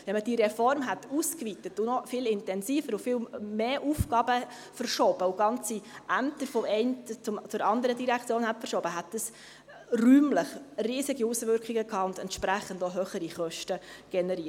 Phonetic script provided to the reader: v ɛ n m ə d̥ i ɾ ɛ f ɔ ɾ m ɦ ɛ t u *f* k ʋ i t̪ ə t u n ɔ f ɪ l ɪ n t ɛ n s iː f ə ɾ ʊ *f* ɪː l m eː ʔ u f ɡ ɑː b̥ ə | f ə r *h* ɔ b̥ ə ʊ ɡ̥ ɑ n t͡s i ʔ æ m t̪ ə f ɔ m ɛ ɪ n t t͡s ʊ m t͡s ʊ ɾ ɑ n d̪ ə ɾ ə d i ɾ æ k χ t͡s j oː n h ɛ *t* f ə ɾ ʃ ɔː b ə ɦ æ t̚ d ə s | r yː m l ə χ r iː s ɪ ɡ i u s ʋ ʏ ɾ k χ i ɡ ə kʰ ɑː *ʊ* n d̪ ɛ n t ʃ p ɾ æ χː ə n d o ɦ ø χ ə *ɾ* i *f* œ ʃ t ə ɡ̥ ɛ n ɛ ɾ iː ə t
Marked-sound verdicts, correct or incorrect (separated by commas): incorrect, correct, incorrect, correct, correct, correct, incorrect